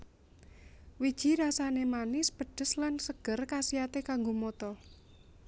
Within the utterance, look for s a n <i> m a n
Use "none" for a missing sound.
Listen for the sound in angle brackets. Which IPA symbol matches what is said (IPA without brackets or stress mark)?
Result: e